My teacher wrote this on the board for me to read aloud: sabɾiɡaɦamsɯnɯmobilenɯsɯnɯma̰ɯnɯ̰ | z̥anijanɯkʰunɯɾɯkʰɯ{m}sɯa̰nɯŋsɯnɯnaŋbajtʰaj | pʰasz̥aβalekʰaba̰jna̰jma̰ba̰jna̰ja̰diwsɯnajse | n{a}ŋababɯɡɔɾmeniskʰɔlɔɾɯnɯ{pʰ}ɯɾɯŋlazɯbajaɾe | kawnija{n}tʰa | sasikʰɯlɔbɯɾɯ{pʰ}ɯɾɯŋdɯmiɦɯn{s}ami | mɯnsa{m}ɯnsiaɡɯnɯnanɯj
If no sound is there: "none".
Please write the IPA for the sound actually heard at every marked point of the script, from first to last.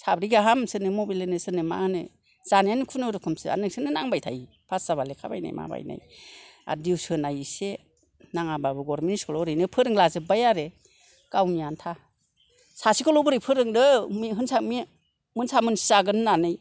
m, a, pʰ, n, pʰ, s, m

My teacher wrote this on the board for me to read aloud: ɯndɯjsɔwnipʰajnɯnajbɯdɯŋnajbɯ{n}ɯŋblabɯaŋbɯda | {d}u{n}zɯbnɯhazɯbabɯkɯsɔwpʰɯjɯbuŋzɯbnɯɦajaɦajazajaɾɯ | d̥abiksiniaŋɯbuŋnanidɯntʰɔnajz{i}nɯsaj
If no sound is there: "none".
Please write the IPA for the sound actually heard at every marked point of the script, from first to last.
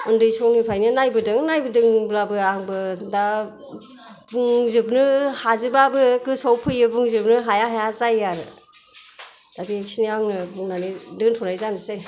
d, b, ŋ, a

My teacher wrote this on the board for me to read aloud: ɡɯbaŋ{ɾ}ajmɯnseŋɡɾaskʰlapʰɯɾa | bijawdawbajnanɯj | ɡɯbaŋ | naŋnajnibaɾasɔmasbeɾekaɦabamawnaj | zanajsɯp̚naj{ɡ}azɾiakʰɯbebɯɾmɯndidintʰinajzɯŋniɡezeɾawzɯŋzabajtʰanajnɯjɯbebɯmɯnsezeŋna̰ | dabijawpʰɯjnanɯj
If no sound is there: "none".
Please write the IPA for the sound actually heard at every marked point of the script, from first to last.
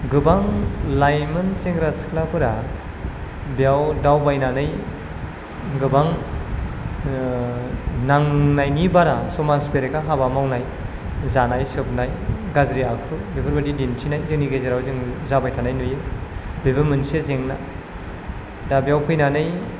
l, ɡ

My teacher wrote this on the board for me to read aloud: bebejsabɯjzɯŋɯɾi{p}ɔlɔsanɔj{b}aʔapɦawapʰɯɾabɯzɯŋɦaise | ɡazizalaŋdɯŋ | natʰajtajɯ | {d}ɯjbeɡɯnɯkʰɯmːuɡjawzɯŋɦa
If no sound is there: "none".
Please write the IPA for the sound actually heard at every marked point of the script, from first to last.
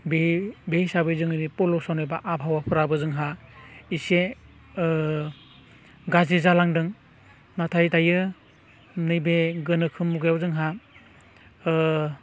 p, b, n

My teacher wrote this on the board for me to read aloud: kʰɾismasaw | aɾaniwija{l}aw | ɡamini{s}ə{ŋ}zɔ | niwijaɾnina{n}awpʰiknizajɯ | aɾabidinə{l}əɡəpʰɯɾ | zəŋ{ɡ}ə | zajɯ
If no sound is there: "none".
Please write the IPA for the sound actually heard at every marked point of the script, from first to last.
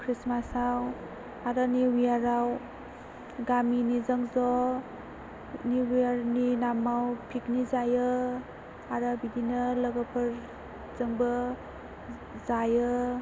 ɾ, z, ŋ, m, l, b

